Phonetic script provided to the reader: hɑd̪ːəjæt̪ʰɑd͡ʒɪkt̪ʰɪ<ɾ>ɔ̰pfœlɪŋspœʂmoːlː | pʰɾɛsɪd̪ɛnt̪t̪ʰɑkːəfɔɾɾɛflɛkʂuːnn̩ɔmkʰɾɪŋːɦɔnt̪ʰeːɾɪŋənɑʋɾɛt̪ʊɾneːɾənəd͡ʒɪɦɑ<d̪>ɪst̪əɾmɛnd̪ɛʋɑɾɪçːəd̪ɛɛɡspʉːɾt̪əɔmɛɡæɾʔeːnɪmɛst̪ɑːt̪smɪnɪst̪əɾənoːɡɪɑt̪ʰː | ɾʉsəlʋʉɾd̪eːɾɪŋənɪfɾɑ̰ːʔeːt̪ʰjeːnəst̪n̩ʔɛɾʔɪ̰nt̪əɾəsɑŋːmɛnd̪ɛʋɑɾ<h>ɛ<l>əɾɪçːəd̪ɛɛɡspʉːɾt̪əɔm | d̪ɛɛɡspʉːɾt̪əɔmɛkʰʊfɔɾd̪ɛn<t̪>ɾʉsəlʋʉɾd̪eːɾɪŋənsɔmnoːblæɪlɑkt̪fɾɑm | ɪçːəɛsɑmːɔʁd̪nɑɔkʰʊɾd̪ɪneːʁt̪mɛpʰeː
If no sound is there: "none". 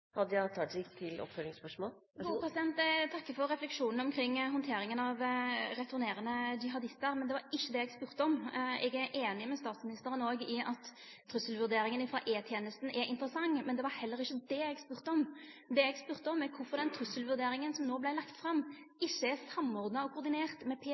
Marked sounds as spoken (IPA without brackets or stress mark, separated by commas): l, d̪, h, lː, t̪ʰ